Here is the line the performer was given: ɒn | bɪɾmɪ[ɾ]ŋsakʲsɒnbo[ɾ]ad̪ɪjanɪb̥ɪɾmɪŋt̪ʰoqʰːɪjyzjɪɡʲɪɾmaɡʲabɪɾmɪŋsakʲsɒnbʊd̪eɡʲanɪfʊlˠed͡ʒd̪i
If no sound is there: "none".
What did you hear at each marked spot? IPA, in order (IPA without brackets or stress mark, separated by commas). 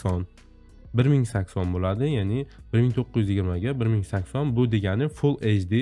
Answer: none, l